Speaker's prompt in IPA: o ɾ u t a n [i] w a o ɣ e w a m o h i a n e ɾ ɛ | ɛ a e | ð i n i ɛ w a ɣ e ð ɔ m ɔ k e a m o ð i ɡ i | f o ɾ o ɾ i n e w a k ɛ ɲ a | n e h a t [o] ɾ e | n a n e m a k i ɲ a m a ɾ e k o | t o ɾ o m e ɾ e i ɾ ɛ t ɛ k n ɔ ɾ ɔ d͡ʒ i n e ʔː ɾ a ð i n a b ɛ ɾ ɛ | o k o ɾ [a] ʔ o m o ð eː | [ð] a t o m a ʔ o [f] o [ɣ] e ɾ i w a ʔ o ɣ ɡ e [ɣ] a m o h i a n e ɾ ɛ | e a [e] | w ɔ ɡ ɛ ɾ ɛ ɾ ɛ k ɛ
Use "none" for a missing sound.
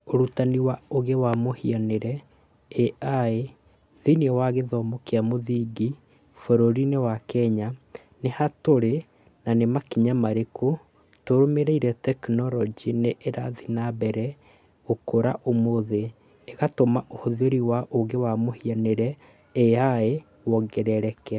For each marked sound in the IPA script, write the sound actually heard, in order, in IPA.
i, o, a, ɣ, h, ð, w, e

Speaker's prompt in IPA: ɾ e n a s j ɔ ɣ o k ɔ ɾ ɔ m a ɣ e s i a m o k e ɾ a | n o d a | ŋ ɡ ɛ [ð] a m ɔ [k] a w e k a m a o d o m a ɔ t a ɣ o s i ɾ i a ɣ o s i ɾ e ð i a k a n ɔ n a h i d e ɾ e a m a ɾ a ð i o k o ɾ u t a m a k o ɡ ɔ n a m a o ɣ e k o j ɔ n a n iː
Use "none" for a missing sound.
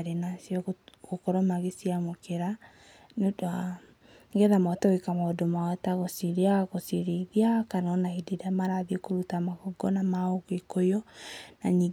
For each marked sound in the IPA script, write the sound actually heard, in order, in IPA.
ð, t

